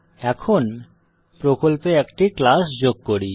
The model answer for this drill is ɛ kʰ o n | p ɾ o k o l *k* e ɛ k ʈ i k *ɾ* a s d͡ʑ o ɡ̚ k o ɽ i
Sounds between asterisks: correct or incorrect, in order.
incorrect: p, incorrect: l

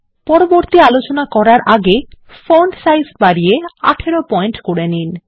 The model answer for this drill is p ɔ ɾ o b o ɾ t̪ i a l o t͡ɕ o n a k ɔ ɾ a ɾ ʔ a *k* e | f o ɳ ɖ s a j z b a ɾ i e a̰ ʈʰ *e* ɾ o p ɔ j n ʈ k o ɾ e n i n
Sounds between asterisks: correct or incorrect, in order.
incorrect: ɡ, correct

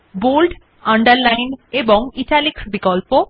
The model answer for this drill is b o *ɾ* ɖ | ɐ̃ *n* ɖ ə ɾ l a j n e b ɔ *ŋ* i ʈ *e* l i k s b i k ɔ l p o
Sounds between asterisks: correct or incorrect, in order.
incorrect: l, incorrect: ɳ, correct, incorrect: a

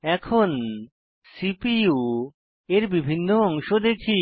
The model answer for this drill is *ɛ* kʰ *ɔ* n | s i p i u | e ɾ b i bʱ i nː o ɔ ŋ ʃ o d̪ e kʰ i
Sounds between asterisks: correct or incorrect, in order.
correct, incorrect: o

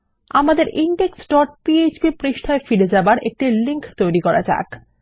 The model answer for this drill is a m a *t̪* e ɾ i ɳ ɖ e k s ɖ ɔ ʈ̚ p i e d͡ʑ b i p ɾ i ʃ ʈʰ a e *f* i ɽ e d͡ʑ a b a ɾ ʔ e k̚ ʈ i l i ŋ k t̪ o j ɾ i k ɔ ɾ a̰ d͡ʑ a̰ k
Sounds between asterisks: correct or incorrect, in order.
incorrect: d̪, correct

